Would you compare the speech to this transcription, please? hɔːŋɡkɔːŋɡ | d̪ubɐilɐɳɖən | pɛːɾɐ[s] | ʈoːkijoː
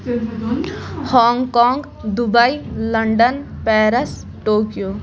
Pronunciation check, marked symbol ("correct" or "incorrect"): correct